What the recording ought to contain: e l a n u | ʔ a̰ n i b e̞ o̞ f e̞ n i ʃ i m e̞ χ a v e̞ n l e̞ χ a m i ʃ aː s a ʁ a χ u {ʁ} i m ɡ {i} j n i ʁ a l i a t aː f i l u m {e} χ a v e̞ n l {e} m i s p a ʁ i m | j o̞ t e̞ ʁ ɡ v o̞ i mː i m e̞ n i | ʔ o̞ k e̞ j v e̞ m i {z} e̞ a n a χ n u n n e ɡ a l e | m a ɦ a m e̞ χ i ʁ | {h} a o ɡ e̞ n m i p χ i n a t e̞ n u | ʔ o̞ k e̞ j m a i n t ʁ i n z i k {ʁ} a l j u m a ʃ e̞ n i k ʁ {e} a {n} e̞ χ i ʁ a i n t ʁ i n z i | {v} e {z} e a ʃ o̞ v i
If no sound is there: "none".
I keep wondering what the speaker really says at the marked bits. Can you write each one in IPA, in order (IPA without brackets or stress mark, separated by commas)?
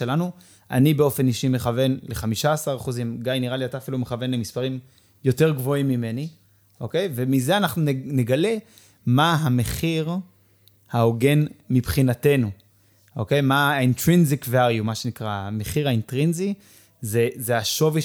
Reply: z, a, e, e, z, h, v, a, m, z, z